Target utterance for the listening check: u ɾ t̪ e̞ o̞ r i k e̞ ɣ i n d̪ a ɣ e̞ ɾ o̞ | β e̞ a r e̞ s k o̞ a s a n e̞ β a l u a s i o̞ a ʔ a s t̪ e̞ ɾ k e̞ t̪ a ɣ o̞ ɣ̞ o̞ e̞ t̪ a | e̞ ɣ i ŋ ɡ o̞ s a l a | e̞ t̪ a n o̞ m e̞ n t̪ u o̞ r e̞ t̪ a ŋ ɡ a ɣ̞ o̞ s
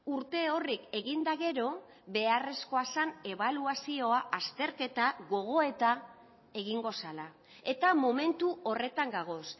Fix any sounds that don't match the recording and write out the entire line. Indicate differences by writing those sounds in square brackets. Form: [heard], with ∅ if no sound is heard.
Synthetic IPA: u ɾ t̪ e̞ o̞ r i k e̞ ɣ i n d̪ a ɣ e̞ ɾ o̞ | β e̞ a r e̞ s k o̞ a s a n e̞ β a l u a s i o̞ a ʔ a s t̪ e̞ ɾ k e̞ t̪ a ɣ o̞ ɣ̞ o̞ e̞ t̪ a | e̞ ɣ i ŋ ɡ o̞ s a l a | e̞ t̪ a [m] o̞ m e̞ n t̪ u o̞ r e̞ t̪ a ŋ ɡ a ɣ̞ o̞ s